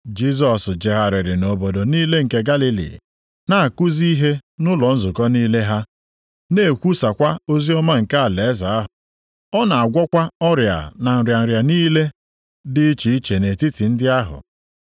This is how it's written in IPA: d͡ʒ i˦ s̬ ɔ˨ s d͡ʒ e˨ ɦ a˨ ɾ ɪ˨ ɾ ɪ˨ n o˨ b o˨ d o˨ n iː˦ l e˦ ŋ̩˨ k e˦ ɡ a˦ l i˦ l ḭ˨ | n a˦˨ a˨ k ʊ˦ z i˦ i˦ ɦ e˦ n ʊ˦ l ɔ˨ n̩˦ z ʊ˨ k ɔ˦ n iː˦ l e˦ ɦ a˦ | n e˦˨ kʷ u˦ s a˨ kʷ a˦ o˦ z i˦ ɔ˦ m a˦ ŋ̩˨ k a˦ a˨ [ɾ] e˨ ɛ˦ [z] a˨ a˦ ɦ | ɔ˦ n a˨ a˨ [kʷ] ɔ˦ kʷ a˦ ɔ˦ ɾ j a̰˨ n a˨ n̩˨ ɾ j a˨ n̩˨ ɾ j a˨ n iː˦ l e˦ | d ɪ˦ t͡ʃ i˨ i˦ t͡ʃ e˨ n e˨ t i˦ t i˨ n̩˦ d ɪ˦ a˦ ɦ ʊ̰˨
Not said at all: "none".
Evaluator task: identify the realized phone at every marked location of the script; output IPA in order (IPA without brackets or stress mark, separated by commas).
l, z, ɡʷ